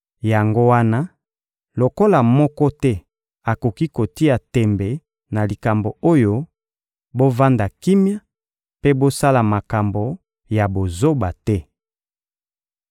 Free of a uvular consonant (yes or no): yes